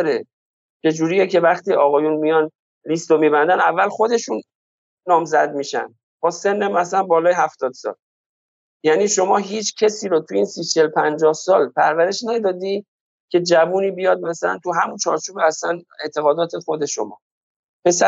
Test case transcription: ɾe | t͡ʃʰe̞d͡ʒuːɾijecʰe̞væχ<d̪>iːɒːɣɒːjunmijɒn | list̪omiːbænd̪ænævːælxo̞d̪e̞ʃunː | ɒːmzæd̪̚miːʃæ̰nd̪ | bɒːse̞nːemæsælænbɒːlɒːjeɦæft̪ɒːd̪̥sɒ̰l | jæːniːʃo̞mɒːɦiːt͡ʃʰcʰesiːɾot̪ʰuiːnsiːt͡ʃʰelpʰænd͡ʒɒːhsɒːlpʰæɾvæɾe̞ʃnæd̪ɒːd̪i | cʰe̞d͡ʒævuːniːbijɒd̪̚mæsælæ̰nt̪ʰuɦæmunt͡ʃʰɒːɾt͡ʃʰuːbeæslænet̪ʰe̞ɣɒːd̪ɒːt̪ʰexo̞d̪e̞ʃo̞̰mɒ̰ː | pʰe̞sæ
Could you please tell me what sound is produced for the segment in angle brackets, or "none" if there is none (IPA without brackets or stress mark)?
t̪